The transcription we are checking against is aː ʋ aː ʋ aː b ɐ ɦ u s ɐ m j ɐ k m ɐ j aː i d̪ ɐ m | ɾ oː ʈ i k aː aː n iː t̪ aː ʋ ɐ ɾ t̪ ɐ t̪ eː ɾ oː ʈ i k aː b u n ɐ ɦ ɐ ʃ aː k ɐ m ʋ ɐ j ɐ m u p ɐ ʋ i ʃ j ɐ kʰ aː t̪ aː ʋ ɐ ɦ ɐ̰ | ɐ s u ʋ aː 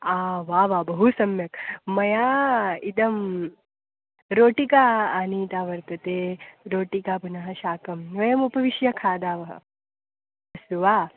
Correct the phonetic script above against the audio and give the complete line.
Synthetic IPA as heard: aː ʋ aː ʋ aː b ɐ ɦ u s ɐ m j ɐ k m ɐ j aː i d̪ ɐ m | ɾ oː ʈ i k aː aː n iː t̪ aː ʋ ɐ ɾ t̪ ɐ t̪ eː ɾ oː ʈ i k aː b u n ɐ ɦ ɐ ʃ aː k ɐ m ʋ ɐ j ɐ m u p ɐ ʋ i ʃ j ɐ kʰ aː d̪ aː ʋ ɐ ɦ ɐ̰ | ɐ s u ʋ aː